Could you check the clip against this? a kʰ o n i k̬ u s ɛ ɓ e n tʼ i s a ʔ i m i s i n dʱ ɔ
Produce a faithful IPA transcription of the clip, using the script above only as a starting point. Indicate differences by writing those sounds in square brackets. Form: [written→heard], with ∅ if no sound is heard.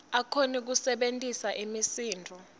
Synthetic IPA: a kʰ o n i k̬ u s ɛ ɓ e n tʼ i s a ʔ i m i s [i→iː] n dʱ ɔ